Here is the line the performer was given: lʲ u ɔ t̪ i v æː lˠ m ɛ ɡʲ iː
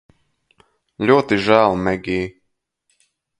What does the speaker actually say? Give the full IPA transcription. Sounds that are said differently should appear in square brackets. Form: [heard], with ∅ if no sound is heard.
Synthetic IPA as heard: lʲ u ɔ t̪ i [ʒ] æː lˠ m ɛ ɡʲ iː

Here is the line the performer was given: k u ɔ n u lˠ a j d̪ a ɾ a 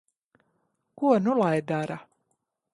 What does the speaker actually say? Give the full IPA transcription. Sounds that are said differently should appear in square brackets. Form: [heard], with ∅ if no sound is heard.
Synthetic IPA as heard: k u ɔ n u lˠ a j d̪ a ɾ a

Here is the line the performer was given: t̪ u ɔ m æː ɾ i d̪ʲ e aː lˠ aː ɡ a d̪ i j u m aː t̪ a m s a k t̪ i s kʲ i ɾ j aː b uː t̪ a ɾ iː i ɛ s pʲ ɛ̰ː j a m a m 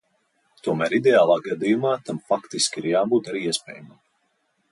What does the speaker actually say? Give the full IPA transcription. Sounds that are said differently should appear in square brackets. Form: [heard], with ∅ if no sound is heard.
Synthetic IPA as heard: t̪ u ɔ m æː ɾ i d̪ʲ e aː lˠ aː ɡ a d̪ i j u m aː t̪ a m [f] a k t̪ i s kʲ i ɾ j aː b uː t̪ a ɾ iː i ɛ s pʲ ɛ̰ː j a m a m

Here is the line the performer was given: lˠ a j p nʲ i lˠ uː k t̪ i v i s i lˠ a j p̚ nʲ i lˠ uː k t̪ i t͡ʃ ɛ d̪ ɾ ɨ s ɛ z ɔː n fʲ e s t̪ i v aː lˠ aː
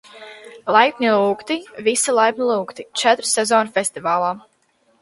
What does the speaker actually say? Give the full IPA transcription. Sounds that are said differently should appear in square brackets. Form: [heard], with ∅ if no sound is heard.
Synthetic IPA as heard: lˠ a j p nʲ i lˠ uː k t̪ i v i s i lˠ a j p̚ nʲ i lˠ uː k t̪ i t͡ʃ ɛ [t̪] ɾ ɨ s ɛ z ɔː n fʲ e s t̪ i v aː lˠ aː

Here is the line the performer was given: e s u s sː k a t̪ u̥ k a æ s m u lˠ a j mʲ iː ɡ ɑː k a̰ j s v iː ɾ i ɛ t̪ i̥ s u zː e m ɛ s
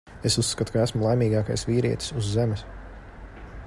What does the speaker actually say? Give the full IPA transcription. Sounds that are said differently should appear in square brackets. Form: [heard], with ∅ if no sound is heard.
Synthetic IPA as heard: e s u s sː k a t̪ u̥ k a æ s m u lˠ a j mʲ iː ɡ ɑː k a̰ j s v iː ɾ i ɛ t̪ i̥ s u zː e m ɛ s

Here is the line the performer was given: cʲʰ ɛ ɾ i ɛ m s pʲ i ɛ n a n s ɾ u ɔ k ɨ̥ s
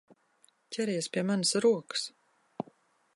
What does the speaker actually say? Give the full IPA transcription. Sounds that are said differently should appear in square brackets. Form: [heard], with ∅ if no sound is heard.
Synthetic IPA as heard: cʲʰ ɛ ɾ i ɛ [∅] s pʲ i ɛ [m] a n s ɾ u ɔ k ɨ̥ s

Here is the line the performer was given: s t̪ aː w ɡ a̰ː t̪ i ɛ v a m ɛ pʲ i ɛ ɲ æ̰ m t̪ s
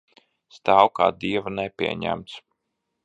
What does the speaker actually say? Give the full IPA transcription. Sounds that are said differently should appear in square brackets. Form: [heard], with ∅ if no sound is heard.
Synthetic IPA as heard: s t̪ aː w [k] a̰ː [d̪] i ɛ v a [n] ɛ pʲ i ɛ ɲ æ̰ m t̪ s

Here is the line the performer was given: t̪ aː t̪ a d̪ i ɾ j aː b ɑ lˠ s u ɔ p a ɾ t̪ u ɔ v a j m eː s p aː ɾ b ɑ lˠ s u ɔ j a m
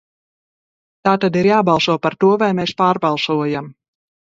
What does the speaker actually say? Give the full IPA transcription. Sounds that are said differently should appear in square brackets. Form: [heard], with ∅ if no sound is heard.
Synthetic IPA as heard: t̪ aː t̪ a d̪ i ɾ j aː b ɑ lˠ s u ɔ p a ɾ t̪ u ɔ v a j m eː s p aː ɾ b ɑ lˠ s u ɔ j a m

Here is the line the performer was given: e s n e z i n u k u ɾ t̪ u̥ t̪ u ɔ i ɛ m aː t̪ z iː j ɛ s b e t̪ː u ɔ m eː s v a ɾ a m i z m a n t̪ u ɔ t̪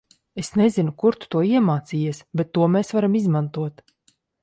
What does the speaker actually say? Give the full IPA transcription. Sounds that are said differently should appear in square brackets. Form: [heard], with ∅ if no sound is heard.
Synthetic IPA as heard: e s n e z i n u k u ɾ t̪ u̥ t̪ u ɔ i ɛ m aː t̪ [s] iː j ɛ s b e t̪ː u ɔ m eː s v a ɾ a m i z m a n t̪ u ɔ t̪

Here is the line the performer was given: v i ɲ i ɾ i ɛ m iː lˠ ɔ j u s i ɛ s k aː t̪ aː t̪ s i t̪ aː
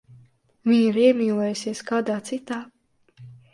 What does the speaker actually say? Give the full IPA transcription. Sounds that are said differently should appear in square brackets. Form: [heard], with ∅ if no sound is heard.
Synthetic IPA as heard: v i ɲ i ɾ i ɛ m iː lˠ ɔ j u s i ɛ s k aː [d̪] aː t̪ s i t̪ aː

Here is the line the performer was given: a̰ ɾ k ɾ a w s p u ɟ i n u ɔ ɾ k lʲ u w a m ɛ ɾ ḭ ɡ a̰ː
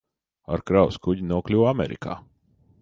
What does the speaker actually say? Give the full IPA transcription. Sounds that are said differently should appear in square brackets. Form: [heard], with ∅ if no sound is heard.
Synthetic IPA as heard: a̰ ɾ k ɾ a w s [k] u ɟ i n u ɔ [∅] k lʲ u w a m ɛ ɾ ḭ [k] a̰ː

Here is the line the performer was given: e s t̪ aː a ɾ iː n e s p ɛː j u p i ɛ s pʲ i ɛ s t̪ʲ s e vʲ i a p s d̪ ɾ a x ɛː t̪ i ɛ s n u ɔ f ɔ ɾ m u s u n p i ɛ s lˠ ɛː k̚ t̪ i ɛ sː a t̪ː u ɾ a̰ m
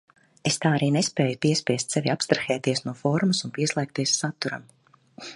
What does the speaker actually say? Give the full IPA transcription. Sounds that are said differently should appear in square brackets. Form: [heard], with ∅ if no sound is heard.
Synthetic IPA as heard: e s t̪ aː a ɾ iː n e s p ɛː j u p i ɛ s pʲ i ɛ s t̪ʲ s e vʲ i a p s [t̪] ɾ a x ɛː t̪ i ɛ s n u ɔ f ɔ ɾ m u s u n p i ɛ s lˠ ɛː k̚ t̪ i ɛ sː a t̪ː u ɾ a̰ m

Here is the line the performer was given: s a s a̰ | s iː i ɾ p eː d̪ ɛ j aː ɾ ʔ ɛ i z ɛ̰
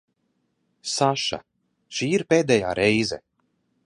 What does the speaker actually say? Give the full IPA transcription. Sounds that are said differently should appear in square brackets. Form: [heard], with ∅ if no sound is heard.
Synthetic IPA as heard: s a [ʃ] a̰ | [ʃ] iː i ɾ p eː d̪ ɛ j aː ɾ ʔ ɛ [j] z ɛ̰

